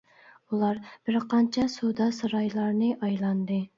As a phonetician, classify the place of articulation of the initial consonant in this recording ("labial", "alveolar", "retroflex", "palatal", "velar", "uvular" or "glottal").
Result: alveolar